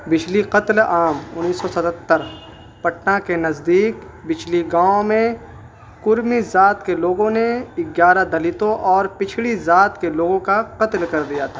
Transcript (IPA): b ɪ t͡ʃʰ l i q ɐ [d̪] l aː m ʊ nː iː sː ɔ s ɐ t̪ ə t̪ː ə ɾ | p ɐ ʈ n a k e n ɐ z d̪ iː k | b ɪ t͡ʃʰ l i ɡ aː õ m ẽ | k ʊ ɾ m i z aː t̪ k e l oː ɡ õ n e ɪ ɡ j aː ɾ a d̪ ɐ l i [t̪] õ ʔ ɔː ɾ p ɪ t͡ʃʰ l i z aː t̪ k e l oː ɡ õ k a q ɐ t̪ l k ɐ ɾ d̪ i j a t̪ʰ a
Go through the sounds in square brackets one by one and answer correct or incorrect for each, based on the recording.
incorrect: t̪, correct

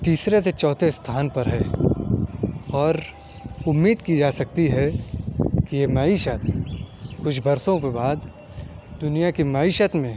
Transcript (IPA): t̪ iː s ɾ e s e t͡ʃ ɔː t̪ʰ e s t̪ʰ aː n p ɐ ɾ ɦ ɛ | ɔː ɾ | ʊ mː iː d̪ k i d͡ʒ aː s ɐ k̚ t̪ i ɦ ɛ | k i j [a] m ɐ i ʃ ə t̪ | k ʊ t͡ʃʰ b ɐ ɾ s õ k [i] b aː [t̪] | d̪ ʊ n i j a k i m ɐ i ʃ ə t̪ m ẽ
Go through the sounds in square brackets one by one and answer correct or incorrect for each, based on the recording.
incorrect: e, incorrect: e, incorrect: d̪

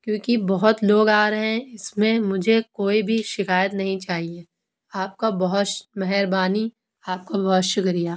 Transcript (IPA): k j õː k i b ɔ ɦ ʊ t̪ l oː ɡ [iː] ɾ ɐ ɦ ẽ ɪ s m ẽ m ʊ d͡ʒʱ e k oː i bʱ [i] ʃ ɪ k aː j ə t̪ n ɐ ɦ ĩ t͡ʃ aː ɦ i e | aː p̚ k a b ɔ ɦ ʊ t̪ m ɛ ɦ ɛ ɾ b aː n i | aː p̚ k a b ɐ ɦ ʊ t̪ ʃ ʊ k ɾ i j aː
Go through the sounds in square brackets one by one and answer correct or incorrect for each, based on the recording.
incorrect: aː, correct

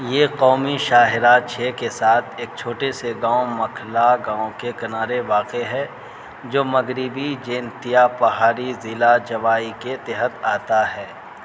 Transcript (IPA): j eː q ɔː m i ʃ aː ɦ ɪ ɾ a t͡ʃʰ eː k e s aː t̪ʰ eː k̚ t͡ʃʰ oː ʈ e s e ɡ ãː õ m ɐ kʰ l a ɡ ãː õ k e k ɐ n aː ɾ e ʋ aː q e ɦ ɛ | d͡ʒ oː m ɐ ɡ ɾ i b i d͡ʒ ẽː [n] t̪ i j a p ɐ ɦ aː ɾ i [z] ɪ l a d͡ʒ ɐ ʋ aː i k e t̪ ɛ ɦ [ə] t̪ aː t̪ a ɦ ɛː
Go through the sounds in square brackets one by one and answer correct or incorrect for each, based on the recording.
correct, correct, correct

